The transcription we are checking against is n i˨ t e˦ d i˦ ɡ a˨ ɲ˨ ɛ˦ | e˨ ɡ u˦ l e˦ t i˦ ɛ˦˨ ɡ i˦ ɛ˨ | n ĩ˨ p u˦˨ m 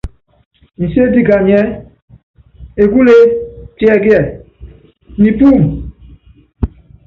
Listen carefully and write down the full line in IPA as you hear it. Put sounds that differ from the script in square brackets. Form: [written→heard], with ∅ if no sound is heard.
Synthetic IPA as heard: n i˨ [t→s] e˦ d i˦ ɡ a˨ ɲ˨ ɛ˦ | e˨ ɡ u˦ l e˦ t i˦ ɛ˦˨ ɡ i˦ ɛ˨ | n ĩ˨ p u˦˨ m